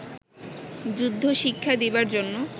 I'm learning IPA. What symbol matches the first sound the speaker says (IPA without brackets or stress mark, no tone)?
d͡ʑ